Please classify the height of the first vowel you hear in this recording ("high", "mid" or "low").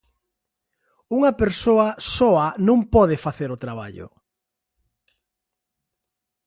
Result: high